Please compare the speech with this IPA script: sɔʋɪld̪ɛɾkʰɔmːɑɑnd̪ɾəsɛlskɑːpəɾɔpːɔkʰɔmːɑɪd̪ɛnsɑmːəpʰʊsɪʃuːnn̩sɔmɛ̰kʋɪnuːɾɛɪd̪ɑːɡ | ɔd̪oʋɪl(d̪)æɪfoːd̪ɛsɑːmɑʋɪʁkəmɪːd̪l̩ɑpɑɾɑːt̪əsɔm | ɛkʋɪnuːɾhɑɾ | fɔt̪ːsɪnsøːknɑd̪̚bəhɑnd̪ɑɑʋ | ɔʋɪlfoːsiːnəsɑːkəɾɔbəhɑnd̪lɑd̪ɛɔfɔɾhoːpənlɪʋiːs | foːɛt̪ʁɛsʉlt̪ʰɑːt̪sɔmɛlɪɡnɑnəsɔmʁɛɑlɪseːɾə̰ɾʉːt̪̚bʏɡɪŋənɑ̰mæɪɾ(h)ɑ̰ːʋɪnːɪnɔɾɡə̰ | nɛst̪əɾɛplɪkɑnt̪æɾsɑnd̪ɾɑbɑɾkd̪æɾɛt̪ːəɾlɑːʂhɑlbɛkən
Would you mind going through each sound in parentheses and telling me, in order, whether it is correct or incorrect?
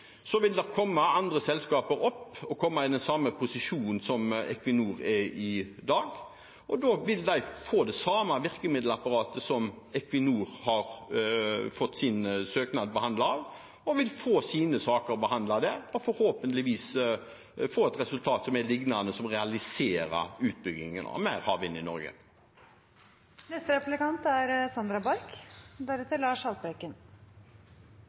correct, correct

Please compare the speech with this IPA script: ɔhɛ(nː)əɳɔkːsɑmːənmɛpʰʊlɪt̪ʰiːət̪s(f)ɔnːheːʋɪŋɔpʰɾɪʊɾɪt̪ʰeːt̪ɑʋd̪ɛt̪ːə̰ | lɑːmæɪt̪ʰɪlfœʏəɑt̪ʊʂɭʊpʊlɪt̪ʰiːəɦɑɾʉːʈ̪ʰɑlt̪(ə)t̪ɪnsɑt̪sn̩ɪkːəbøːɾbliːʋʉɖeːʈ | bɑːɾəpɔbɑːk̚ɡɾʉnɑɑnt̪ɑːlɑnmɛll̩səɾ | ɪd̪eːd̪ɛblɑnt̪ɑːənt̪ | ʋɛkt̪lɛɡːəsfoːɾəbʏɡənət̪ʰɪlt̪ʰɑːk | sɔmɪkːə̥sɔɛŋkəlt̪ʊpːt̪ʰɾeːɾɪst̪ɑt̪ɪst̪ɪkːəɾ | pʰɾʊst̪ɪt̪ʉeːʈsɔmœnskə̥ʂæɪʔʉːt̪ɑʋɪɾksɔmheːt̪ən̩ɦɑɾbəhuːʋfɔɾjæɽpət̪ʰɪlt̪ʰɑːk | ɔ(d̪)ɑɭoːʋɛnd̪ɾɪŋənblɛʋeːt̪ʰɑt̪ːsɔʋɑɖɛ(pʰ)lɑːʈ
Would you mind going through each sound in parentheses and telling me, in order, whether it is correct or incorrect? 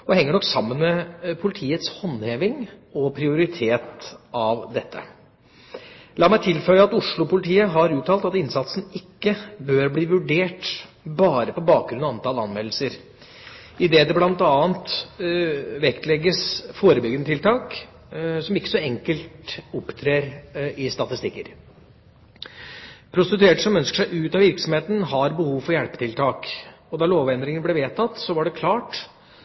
incorrect, incorrect, incorrect, correct, incorrect

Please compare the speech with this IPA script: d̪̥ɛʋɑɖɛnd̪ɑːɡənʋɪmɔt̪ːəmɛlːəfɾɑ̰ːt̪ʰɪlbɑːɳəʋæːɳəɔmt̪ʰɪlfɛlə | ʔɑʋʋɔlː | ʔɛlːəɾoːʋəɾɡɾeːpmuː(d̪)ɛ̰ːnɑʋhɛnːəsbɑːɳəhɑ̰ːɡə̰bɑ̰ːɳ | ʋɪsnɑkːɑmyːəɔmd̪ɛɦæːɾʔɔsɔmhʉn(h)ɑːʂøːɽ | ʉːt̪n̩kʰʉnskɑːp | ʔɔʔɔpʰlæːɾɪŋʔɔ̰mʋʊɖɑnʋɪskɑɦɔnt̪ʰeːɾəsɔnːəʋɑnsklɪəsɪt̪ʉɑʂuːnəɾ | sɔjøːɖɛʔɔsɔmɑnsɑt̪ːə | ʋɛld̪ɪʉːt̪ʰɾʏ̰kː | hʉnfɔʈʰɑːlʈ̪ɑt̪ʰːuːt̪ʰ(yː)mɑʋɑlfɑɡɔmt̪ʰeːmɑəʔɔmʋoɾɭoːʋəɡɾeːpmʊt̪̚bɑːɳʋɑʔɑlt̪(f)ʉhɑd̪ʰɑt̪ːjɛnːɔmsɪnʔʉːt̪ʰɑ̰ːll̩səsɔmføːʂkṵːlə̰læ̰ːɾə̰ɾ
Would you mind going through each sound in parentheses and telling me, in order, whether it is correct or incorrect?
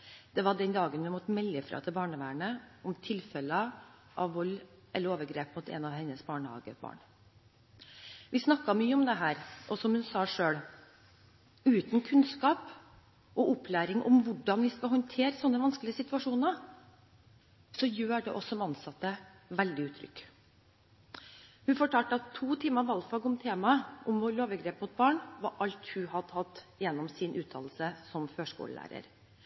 incorrect, incorrect, incorrect, incorrect

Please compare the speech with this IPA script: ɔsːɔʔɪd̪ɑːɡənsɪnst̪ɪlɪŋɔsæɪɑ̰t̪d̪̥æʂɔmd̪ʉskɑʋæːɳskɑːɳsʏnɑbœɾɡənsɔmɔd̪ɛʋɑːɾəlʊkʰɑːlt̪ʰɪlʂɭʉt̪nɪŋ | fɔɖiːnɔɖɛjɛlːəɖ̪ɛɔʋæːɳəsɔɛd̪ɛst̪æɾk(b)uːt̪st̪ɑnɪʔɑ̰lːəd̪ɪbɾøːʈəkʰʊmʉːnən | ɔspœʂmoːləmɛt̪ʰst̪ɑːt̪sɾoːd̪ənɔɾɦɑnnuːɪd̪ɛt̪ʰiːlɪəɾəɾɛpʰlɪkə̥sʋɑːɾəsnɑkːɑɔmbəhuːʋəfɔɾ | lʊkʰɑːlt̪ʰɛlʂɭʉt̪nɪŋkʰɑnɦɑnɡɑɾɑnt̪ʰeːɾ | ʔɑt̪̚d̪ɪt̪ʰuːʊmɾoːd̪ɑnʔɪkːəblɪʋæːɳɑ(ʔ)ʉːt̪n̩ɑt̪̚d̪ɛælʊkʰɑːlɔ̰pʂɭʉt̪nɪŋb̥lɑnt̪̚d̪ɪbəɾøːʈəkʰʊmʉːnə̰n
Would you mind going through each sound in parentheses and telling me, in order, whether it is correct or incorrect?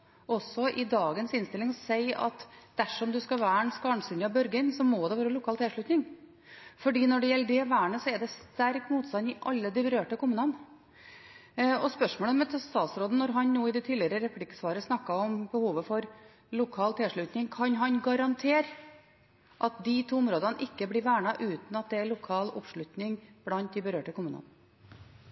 incorrect, correct

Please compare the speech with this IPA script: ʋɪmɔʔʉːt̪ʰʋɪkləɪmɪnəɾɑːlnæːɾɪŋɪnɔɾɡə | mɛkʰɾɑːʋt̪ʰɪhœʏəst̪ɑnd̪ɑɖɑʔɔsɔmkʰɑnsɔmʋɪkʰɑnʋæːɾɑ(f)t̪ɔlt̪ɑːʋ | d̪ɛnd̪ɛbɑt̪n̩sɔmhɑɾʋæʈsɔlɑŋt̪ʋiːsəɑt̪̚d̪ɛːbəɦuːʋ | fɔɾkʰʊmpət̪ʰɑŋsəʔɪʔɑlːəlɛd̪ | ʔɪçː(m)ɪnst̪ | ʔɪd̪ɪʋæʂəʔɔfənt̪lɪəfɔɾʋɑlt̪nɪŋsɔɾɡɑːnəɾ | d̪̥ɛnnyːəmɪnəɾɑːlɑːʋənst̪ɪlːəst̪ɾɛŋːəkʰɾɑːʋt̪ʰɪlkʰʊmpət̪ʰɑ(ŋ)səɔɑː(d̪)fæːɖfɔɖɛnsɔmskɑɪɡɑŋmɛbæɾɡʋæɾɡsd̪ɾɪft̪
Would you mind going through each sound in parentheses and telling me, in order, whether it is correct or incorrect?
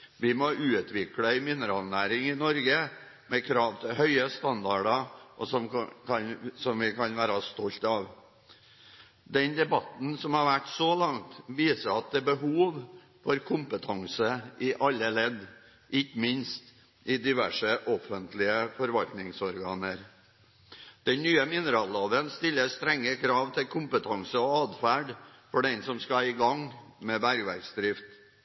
incorrect, correct, correct, correct

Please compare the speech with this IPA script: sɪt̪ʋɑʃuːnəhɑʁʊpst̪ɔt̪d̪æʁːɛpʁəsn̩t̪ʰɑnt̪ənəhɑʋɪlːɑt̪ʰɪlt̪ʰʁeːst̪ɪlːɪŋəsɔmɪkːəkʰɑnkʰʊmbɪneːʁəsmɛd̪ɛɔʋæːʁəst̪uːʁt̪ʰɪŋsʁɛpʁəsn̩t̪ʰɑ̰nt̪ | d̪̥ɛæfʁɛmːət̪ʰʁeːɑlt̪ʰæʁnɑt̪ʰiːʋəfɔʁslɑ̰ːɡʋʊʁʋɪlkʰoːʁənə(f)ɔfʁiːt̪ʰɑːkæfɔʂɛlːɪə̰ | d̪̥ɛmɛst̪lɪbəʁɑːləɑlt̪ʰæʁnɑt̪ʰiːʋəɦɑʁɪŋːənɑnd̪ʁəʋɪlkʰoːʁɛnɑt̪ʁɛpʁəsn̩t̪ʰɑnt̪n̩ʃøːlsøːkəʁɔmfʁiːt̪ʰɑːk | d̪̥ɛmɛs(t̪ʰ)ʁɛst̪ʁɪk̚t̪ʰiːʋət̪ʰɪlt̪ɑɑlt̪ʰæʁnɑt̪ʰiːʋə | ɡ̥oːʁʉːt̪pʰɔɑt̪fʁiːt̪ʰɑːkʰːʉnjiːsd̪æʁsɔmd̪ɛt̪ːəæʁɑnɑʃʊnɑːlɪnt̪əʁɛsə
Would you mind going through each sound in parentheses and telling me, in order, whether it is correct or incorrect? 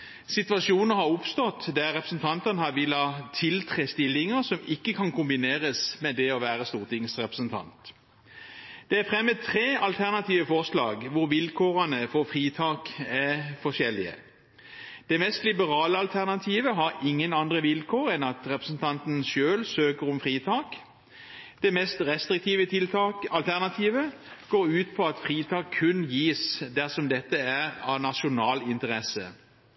correct, incorrect

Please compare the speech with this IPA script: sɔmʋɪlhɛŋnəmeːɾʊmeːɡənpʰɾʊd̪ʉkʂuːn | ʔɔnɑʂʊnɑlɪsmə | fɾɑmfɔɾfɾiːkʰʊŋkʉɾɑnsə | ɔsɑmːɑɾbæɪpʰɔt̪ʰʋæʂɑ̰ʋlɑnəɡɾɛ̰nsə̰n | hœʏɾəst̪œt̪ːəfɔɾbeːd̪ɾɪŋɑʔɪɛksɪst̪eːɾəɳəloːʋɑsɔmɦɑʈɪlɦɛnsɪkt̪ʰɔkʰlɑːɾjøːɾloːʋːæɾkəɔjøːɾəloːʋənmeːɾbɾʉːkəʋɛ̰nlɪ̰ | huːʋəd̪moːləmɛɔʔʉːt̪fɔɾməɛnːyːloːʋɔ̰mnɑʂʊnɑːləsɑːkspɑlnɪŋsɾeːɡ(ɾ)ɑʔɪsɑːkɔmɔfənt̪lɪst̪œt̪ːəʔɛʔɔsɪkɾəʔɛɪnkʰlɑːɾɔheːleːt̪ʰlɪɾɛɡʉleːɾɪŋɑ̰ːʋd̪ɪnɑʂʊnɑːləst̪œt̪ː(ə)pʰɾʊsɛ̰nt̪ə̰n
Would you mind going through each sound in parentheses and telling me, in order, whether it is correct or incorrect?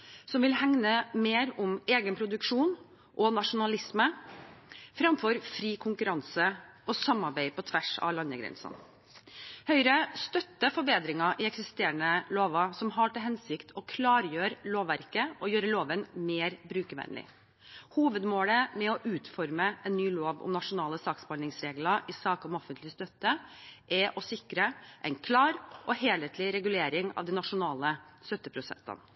incorrect, correct

